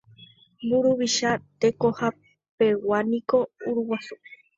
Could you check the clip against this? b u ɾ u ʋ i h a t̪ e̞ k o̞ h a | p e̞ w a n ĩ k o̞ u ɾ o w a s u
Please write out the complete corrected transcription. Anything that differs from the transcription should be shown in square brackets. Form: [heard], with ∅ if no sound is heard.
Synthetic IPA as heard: b u ɾ u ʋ i [ʃ] a t̪ e̞ k o̞ h a | p e̞ w a n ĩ k o̞ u ɾ [u] w a s u